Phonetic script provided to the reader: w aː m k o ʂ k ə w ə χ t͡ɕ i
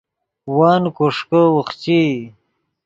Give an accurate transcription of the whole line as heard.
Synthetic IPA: w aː n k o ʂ k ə w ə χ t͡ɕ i